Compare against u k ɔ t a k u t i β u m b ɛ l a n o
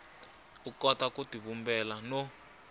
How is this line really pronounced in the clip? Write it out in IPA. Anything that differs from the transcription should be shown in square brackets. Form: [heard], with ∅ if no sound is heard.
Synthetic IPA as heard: u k ɔ t a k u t i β u m b ɛ l a n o